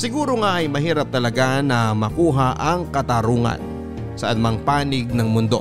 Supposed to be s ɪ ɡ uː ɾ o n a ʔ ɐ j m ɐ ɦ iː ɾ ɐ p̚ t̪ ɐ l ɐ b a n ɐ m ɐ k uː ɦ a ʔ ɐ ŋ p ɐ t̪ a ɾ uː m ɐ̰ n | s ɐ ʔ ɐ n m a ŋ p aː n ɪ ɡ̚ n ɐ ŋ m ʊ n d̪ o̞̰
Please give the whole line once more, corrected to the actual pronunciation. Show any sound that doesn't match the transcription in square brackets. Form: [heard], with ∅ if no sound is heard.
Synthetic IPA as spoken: s ɪ ɡ uː ɾ o [ŋ] a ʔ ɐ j m ɐ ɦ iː ɾ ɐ p̚ t̪ ɐ l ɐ [ɡ] a n ɐ m ɐ k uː ɦ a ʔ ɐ ŋ [k] ɐ t̪ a ɾ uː [ŋ] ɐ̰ n | s ɐ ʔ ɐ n m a ŋ p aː n ɪ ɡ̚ n ɐ ŋ m ʊ n d̪ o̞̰